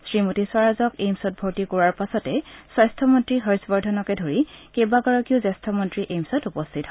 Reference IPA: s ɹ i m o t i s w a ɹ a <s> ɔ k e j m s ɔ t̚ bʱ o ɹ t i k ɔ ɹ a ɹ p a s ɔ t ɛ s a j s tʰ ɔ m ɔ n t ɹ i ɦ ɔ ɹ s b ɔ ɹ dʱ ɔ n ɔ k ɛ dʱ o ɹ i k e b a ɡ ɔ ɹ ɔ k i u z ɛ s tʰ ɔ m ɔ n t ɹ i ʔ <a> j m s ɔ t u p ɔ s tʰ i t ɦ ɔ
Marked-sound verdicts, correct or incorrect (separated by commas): incorrect, incorrect